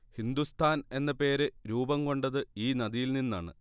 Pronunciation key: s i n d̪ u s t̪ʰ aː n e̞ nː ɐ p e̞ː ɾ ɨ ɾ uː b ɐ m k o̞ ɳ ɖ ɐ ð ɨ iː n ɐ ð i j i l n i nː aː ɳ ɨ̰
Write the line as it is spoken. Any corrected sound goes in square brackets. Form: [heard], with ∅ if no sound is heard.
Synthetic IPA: [h] i n d̪ u s t̪ʰ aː n e̞ nː ɐ p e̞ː ɾ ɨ ɾ uː b ɐ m k o̞ ɳ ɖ ɐ ð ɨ iː n ɐ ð i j i l n i nː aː ɳ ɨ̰